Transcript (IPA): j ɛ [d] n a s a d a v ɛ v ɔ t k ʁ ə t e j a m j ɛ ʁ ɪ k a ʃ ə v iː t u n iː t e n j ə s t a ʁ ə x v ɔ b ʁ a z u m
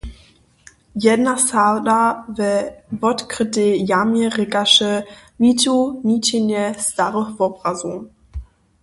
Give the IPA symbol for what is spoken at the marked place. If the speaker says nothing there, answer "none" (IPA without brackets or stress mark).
d